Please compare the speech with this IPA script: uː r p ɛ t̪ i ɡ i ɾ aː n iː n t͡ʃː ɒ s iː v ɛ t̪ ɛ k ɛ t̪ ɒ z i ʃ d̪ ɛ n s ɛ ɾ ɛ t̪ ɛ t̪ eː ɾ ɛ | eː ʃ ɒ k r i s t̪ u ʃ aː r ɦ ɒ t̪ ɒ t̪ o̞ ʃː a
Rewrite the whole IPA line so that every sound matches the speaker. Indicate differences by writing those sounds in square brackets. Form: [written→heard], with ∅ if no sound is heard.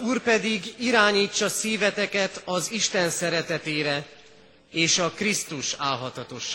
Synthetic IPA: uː r p ɛ [t̪→d̪] i ɡ i ɾ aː [n→ɲ] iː [n→∅] t͡ʃː ɒ s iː v ɛ t̪ ɛ k ɛ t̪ ɒ z i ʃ [d̪→t̪] ɛ n s ɛ ɾ ɛ t̪ ɛ t̪ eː ɾ ɛ | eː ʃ ɒ k r i s t̪ u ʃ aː [r→l] ɦ ɒ t̪ ɒ t̪ o̞ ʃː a